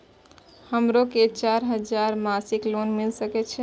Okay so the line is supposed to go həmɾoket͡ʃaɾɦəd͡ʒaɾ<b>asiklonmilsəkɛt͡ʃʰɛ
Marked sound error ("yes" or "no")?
yes